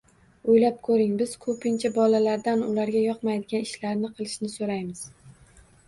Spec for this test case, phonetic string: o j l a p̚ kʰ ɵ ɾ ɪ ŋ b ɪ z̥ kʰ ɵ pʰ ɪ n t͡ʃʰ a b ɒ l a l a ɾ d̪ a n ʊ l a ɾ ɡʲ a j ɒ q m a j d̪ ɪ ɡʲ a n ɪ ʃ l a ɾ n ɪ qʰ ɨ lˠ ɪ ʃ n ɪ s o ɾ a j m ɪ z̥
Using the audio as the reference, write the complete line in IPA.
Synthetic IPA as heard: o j l a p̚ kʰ ɵ ɾ ɪ ŋ b ɪ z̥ kʰ ɵ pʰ ɪ n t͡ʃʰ a b ɒ l a l a ɾ d̪ a n ʊ l a ɾ ɡʲ a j ɒ q m a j d̪ ɪ ɡʲ a n ɪ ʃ l a ɾ n ɪ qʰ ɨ lˠ ɪ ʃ n ɪ s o ɾ a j m ɪ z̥